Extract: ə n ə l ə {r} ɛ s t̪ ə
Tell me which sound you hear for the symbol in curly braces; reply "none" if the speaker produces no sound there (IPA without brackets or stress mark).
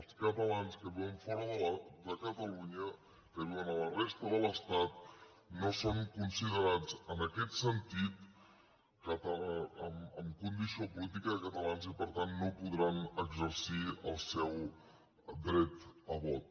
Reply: r